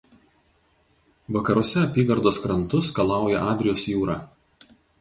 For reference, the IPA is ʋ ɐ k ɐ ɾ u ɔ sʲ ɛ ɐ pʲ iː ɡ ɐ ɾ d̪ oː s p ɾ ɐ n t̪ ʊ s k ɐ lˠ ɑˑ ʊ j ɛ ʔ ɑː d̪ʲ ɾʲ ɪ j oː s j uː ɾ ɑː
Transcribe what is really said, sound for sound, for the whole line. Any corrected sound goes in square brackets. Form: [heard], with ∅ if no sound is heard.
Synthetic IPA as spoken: ʋ ɐ k ɐ ɾ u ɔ sʲ ɛ ɐ pʲ iː ɡ ɐ ɾ d̪ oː s [k] ɾ ɐ n t̪ ʊ s k ɐ lˠ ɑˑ ʊ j ɛ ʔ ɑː d̪ʲ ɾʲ ɪ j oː s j uː ɾ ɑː